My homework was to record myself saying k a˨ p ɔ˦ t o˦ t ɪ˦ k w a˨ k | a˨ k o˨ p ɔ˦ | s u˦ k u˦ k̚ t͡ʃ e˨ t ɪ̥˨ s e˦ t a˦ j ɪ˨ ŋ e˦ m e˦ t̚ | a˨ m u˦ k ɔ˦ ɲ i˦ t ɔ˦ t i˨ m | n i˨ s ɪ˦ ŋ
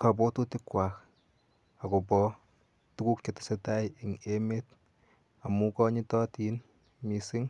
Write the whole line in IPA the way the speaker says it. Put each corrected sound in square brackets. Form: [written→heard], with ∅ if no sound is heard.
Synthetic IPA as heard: k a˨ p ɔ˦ t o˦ t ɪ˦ k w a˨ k | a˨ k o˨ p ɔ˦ | [s→t] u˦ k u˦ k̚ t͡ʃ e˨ t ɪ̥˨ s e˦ t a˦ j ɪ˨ ŋ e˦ m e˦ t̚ | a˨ m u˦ k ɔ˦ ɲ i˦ t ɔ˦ t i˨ [m→n] | [n→m] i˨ s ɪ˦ ŋ